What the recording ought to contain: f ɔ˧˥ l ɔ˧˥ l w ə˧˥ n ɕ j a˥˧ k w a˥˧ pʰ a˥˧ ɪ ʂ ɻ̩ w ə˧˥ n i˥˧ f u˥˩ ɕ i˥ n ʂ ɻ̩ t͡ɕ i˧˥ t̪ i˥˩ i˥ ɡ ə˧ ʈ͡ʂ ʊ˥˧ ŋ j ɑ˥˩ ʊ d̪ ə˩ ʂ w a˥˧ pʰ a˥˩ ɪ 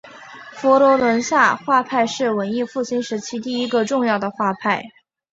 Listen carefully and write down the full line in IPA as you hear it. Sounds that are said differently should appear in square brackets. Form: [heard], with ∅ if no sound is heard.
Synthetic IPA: f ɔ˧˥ l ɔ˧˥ l w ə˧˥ n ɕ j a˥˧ [x] w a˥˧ pʰ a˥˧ ɪ ʂ ɻ̩ w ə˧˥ n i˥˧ f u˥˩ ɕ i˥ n ʂ ɻ̩ [t͡ɕʰ] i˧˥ t̪ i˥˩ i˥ ɡ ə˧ ʈ͡ʂ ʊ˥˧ ŋ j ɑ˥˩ ʊ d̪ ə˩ [x] w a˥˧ pʰ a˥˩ ɪ